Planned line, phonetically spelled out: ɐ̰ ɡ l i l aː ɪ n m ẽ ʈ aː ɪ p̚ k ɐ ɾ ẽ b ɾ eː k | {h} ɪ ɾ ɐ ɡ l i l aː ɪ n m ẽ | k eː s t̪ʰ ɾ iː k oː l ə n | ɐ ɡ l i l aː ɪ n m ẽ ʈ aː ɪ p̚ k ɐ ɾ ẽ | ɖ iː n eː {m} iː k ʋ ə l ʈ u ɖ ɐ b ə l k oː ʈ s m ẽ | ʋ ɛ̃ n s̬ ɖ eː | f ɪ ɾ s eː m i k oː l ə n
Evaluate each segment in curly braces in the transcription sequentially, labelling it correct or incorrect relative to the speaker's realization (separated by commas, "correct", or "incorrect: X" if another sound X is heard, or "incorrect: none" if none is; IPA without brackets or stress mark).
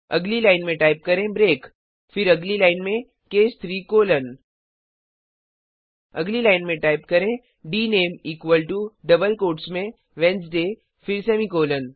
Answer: incorrect: f, correct